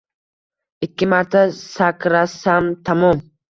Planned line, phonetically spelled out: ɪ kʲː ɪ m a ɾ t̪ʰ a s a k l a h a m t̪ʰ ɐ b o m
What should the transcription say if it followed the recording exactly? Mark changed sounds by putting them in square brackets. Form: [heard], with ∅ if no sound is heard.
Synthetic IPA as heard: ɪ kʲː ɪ m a ɾ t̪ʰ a s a k [ɾ] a [s] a m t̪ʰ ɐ [m] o m